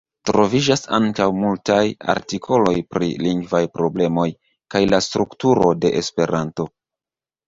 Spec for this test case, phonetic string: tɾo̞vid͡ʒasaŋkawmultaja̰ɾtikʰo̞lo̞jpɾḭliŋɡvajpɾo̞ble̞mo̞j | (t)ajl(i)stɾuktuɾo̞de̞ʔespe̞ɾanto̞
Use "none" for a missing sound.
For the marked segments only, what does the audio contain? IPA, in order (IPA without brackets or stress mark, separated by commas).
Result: k, a